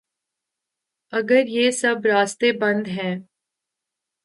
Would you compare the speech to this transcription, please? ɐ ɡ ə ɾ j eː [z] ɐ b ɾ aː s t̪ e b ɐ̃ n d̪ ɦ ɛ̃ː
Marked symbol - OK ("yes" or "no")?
no